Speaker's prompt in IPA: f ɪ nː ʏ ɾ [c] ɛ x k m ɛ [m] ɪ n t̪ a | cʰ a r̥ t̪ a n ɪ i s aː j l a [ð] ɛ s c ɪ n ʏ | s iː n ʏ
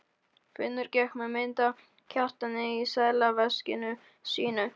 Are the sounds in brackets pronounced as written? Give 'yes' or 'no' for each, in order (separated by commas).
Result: yes, yes, no